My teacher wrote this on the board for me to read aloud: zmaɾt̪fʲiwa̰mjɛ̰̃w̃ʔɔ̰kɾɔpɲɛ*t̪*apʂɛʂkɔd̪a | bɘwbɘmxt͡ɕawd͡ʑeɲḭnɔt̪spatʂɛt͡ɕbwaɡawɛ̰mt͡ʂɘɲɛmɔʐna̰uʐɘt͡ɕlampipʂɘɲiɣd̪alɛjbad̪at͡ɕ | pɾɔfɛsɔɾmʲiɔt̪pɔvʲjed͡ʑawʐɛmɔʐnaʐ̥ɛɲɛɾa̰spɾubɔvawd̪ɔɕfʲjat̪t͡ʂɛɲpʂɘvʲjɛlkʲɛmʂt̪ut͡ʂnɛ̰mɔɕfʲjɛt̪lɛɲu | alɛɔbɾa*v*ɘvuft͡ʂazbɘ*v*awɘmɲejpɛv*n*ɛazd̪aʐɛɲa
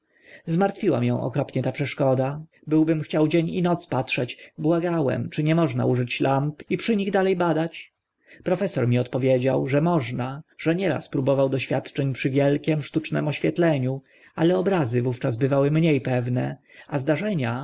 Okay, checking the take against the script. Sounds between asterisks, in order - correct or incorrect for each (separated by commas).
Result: correct, incorrect, correct, correct